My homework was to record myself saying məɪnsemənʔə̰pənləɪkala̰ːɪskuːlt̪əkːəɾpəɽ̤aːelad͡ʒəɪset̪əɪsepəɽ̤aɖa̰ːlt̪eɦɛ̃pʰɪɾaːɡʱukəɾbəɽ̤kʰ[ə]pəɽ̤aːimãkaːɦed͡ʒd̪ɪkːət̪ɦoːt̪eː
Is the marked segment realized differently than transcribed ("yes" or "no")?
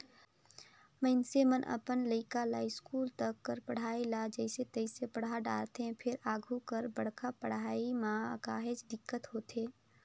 yes